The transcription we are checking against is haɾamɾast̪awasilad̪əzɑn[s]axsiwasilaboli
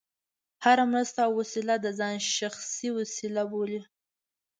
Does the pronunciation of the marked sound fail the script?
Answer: yes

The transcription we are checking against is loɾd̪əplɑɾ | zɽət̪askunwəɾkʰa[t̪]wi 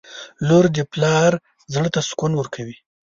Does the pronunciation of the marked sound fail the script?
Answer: yes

